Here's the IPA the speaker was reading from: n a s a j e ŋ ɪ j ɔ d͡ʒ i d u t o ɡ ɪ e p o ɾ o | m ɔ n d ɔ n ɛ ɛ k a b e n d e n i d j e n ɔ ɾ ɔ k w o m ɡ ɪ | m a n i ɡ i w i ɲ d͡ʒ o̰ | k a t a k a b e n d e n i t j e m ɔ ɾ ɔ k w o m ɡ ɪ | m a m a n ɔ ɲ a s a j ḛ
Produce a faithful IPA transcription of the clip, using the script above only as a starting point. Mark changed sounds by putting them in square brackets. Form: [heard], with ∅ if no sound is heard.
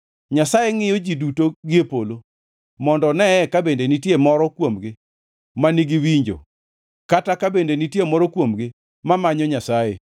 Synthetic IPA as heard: [ɲ] a s a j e ŋ ɪ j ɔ d͡ʒ i d u t o ɡ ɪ e p o [l] o | m ɔ n d ɔ n ɛ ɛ k a b e n d e n i [t] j e [m] ɔ ɾ ɔ k w o m ɡ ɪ | m a n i ɡ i w i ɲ d͡ʒ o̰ | k a t a k a b e n d e n i t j e m ɔ ɾ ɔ k w o m ɡ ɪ | m a m a [ɲ] ɔ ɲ a s a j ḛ

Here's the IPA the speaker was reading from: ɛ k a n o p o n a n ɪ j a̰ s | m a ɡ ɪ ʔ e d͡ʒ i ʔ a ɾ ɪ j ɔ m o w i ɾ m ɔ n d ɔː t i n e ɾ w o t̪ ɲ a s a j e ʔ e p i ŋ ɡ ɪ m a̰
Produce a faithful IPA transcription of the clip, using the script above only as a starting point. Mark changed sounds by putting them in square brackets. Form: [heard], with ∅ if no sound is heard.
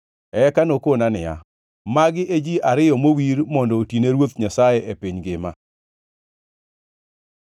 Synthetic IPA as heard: ɛ k a n o [k] o n a n ɪ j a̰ [∅] | m a ɡ ɪ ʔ e d͡ʒ i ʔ a ɾ ɪ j ɔ m o w i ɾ m ɔ n d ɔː t i n e ɾ w o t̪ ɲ a s a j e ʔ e p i [ɲ] ɡ ɪ m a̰

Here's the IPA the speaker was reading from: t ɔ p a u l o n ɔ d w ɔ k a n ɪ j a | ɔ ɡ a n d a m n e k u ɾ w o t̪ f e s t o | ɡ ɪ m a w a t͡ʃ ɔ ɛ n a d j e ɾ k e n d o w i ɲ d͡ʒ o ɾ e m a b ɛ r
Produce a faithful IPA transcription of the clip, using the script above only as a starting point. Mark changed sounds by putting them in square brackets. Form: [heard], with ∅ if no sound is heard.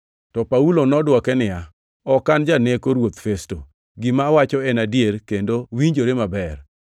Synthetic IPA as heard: t ɔ p a u l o n ɔ d w ɔ k [ɛ] n ɪ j a | ɔ [k] a n [d͡ʒ] a [∅] n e k [o] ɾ w o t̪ f e s t o | ɡ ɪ m a w a t͡ʃ ɔ ɛ n a d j e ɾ k e n d o w i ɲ d͡ʒ o ɾ e m a b ɛ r

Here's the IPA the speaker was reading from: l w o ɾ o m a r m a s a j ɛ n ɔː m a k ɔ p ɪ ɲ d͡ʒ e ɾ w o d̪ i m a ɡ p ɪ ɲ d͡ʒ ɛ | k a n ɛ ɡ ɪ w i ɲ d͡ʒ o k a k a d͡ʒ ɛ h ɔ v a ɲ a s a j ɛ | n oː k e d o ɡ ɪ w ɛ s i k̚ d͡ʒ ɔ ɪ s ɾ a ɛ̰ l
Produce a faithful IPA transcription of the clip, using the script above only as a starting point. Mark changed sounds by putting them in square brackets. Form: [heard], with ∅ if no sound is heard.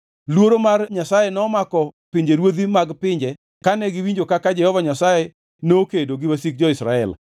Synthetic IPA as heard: l w o ɾ o m a r [ɲ] a s a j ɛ n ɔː m a k ɔ p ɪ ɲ d͡ʒ e ɾ w o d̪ i m a ɡ p ɪ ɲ d͡ʒ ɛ | k a n ɛ ɡ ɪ w i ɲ d͡ʒ o k a k a d͡ʒ ɛ h ɔ v a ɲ a s a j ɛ | n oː k e d o ɡ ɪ w [a] s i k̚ d͡ʒ ɔ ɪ s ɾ a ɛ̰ l

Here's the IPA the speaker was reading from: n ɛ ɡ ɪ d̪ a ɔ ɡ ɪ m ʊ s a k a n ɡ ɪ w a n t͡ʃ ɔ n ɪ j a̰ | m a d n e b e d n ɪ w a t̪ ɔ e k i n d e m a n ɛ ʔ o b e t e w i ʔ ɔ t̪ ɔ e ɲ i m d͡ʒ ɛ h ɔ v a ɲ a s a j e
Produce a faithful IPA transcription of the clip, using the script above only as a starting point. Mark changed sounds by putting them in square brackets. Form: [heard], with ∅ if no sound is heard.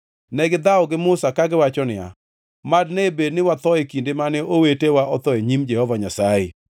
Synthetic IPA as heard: n ɛ ɡ ɪ d̪ a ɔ ɡ ɪ m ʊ s a k a [∅] ɡ ɪ w a [∅] t͡ʃ ɔ n ɪ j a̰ | m a d n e b e d n ɪ w a t̪ ɔ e k i n d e m a n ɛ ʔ o [w] e t e w [a] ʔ ɔ t̪ ɔ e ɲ i m d͡ʒ ɛ h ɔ v a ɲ a s a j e

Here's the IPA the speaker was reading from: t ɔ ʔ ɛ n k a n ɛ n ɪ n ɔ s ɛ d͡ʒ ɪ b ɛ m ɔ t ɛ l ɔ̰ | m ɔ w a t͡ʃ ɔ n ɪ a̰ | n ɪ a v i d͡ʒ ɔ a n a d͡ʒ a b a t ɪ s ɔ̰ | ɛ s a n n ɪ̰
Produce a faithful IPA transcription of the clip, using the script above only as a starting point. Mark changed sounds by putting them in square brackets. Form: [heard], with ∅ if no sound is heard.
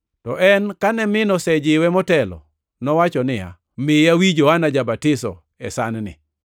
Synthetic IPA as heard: t ɔ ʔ ɛ n k a n ɛ [m] ɪ n ɔ s ɛ d͡ʒ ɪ [w] ɛ m ɔ t ɛ l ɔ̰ | [n] ɔ w a t͡ʃ ɔ n ɪ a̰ | [m] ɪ a [w] i d͡ʒ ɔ a n a d͡ʒ a b a t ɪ s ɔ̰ | ɛ s a n n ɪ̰

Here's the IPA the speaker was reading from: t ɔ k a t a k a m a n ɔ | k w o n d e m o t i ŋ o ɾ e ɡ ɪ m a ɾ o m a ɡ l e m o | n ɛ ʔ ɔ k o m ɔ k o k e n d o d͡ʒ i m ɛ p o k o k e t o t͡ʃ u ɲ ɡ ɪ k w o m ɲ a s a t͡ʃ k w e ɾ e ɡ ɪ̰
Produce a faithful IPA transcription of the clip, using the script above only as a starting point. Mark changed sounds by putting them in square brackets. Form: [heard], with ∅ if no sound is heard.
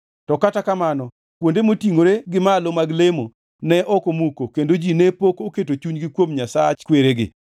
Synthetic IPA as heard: t ɔ k a t a k a m a n ɔ | k w o n d e m o t i ŋ o ɾ e ɡ ɪ m a [l] o m a ɡ l e m o | n ɛ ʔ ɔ k o m [u] k o k e n d o d͡ʒ i [n] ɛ p o k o k e t o t͡ʃ u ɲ ɡ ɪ k w o m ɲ a s a t͡ʃ k w e ɾ e ɡ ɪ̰

